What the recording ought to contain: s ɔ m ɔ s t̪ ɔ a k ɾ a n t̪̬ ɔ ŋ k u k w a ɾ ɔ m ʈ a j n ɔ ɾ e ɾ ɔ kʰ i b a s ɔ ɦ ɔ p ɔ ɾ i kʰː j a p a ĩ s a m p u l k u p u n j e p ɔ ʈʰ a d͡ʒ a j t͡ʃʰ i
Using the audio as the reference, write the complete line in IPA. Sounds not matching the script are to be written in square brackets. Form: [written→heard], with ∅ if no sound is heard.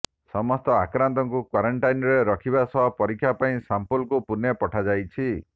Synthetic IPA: s ɔ m ɔ s t̪ ɔ a k ɾ a n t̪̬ ɔ ŋ k u k w a ɾ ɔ [m→ɳ] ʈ a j n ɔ ɾ e ɾ ɔ kʰ i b a s ɔ ɦ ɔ p ɔ ɾ i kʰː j a p a ĩ s a m p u l k u p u n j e p ɔ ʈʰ a d͡ʒ a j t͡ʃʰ i